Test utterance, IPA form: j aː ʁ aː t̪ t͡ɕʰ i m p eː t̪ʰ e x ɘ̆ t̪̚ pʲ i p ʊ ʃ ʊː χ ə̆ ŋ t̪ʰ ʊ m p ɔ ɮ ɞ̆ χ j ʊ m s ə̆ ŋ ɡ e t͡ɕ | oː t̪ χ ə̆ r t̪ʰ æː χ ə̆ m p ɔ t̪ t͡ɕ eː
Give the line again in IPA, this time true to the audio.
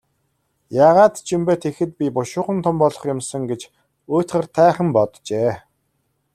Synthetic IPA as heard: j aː ʁ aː t̪ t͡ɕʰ i m p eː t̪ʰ e x ɘ̆ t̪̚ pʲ i p ʊ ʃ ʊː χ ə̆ n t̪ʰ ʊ m p ɔ ɮ ɞ̆ χ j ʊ m s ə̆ ŋ ɡ e t͡ɕ | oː t̪ χ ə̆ r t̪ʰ æː χ ə̆ m p ɔ t̪ t͡ɕ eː